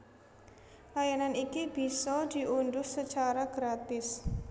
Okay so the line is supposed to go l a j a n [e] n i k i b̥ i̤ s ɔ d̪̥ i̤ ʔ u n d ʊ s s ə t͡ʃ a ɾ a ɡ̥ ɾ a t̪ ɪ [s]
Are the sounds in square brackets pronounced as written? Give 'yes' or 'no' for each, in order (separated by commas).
no, yes